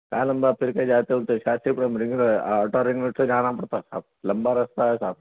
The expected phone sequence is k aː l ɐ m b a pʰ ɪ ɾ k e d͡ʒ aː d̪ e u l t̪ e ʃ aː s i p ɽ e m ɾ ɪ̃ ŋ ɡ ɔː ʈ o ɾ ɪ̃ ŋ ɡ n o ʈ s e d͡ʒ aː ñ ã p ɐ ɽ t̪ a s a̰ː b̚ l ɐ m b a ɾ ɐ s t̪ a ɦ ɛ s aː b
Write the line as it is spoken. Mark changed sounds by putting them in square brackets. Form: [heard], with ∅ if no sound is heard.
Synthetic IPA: k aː l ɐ m b a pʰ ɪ ɾ k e d͡ʒ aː [t̪] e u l t̪ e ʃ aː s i p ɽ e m ɾ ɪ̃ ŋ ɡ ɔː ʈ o ɾ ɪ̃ ŋ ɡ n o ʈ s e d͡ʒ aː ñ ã p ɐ ɽ t̪ a s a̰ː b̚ l ɐ m b a ɾ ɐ s t̪ a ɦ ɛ s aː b